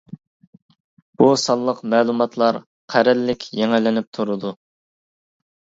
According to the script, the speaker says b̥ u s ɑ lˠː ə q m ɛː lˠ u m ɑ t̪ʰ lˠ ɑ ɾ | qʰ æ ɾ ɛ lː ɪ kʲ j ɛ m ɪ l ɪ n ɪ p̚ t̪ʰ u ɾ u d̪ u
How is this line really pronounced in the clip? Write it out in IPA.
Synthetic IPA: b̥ u s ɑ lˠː ə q m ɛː lˠ u m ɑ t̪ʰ lˠ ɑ ɾ | qʰ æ ɾ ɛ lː ɪ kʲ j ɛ ŋ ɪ l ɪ n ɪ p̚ t̪ʰ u ɾ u d̪ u